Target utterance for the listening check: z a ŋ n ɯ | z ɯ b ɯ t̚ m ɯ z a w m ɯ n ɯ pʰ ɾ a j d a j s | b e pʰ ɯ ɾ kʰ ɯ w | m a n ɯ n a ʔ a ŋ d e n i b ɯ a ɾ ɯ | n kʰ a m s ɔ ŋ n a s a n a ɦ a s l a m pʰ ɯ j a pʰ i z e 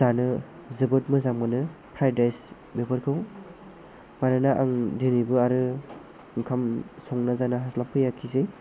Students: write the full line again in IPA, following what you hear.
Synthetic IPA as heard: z a n ɯ | z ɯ b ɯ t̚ m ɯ z a m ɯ n ɯ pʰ ɾ a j d a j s | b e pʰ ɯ ɾ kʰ ɯ w | m a n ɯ n a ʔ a ŋ d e n i b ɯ a ɾ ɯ | ŋ kʰ a m s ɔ ŋ n a z a n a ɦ a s l a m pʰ ɯ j a kʰ i z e